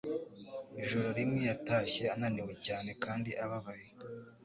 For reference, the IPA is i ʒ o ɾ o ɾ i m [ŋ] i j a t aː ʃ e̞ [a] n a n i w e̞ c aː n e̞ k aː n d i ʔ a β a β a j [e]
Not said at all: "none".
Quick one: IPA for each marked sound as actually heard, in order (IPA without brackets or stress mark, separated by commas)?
ŋ, a, e